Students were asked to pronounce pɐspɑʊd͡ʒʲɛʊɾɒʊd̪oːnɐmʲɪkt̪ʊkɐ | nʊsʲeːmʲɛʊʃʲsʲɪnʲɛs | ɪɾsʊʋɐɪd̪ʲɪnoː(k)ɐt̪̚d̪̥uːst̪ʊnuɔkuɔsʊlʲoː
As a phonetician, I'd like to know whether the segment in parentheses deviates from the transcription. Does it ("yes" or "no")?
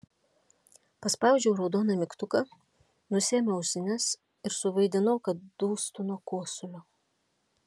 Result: no